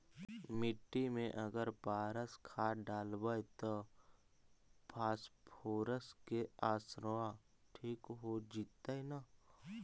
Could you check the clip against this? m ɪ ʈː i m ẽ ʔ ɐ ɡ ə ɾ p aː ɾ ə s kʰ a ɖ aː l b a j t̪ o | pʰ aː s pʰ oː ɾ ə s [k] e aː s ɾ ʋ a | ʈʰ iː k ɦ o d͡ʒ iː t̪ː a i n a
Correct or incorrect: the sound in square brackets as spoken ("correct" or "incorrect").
correct